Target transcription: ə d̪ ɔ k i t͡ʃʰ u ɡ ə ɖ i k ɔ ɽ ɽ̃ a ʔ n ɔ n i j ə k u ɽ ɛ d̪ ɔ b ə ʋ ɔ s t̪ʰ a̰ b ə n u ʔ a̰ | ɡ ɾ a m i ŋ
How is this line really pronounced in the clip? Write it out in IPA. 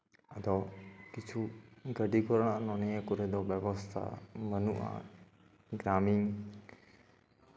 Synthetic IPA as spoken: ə d̪ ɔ k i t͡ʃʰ u ɡ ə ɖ i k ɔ ɾ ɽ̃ a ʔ n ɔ n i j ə k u ɾ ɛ d̪ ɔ b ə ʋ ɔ s t̪ʰ a̰ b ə n u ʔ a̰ | ɡ ɾ a m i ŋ